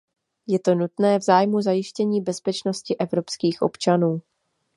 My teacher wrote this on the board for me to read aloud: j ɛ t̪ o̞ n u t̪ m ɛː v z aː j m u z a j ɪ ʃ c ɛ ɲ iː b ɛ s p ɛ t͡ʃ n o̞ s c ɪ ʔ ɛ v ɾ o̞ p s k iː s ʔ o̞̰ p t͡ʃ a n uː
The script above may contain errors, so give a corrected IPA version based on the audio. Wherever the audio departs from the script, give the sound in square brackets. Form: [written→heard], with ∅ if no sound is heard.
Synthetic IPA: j ɛ t̪ o̞ n u t̪ [m→n] ɛː v z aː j m u z a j ɪ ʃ c ɛ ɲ iː b ɛ s p ɛ t͡ʃ n o̞ s c ɪ ʔ ɛ v ɾ o̞ p s k iː [s→x] ʔ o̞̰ p t͡ʃ a n uː